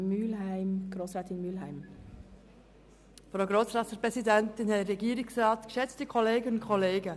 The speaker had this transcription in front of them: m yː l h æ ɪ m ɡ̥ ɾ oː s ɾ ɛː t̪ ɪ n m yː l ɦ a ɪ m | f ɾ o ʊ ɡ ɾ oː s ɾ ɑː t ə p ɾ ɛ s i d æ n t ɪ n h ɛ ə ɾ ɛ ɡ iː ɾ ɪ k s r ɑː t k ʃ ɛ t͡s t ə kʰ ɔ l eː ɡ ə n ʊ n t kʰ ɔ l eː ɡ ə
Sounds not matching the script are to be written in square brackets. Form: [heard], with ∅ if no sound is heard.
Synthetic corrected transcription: m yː l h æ ɪ m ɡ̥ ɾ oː s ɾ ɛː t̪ ɪ n m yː l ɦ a ɪ m | f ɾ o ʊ ɡ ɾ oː s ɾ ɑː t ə p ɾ ɛ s i d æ n t ɪ n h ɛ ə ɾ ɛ ɡ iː ɾ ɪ k s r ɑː t k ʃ ɛ t͡s t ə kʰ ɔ l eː ɡ ə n ʊ n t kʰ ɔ l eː ɡ ə

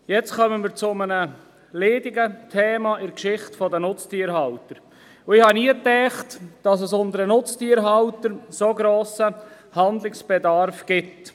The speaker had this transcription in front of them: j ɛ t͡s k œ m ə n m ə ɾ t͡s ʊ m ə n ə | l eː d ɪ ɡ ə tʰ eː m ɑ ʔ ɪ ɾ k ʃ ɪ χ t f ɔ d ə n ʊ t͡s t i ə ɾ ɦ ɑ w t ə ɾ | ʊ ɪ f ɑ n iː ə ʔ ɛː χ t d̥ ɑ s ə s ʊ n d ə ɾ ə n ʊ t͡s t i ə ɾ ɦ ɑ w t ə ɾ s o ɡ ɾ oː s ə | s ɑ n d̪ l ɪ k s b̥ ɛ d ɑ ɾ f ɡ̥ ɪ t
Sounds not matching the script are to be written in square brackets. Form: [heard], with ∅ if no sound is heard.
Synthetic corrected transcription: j ɛ t͡s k œ m ə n m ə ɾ t͡s ʊ m ə n ə | l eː d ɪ ɡ ə tʰ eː m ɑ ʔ ɪ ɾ k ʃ ɪ χ t f ɔ d ə n ʊ t͡s t i ə ɾ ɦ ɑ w t ə ɾ | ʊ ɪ [h] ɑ n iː ə [t] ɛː χ t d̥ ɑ s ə s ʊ n d ə ɾ ə n ʊ t͡s t i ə ɾ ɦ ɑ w t ə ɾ s o ɡ ɾ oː s ə | [h] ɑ n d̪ l ɪ k s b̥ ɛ d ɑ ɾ f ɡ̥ ɪ t

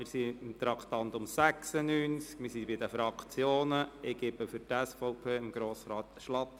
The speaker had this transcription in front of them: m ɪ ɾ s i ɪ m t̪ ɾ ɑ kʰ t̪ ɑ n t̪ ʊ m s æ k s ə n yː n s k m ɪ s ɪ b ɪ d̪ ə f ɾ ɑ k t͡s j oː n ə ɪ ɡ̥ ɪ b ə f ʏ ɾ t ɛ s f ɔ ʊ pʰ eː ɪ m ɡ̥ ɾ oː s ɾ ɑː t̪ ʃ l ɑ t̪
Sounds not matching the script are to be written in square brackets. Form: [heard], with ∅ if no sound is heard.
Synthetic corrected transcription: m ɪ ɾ s i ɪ m t̪ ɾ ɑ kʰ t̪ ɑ n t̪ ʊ m s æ k s ə n yː n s k m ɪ s [i] b ɪ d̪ ə f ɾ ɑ k t͡s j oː n ə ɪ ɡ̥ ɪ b ə f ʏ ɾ t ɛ s f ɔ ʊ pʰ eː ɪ m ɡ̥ ɾ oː s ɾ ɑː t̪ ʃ l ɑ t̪

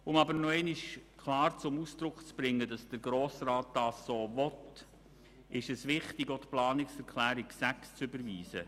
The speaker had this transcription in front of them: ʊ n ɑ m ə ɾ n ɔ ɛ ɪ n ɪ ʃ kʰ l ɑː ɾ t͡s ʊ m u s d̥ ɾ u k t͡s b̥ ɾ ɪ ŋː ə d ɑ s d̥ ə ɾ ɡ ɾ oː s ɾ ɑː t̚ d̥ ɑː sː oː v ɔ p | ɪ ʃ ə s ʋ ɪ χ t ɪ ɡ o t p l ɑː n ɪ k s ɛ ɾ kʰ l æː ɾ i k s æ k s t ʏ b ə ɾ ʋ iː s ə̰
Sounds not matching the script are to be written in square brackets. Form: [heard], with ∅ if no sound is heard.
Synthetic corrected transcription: ʊ [m] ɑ [b] ə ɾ n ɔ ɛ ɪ n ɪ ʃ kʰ l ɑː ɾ t͡s ʊ m u s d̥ ɾ [ʊ] k t͡s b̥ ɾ ɪ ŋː ə d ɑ s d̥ ə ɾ ɡ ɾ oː s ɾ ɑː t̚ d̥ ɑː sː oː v ɔ [t] | ɪ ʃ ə s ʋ ɪ χ t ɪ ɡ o t p l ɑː n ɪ k s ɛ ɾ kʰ l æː ɾ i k s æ k s [t͡s] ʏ b ə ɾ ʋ iː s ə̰

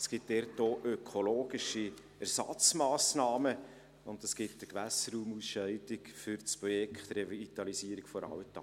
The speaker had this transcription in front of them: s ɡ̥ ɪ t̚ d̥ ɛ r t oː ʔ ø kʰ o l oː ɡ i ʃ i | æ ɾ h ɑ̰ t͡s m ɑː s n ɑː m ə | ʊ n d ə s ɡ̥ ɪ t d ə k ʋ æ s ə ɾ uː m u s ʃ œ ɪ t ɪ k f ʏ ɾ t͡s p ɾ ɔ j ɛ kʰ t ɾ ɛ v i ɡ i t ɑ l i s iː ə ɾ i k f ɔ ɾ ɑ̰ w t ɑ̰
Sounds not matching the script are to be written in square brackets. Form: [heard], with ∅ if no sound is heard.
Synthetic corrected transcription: s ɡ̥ ɪ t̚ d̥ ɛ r t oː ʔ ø kʰ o l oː ɡ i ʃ i | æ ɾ [s] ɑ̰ t͡s m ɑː s n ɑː m ə | ʊ n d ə s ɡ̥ ɪ t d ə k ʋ æ s ə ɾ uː m u s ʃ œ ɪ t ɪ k f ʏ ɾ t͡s p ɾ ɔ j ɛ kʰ t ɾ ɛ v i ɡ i t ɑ l i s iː ə ɾ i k f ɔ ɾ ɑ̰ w t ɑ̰

